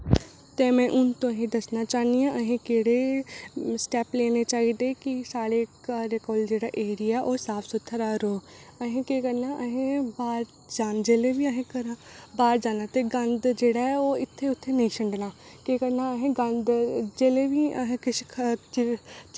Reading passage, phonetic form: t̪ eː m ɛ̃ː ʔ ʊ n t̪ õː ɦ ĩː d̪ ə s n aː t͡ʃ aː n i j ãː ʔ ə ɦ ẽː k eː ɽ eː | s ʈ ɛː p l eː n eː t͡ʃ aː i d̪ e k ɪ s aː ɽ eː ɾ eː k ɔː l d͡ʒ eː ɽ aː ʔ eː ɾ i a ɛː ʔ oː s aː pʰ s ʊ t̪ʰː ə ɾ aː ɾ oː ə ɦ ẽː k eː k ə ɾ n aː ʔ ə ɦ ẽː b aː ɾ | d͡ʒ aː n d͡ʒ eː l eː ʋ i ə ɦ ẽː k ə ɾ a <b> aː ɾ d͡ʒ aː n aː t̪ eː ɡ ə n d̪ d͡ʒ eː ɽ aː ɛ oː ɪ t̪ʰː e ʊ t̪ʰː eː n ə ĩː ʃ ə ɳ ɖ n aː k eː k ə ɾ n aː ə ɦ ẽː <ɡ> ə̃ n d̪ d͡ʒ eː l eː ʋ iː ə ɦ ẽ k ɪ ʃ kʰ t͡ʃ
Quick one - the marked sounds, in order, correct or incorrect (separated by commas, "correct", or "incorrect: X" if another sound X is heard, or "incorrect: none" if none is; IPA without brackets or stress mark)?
correct, correct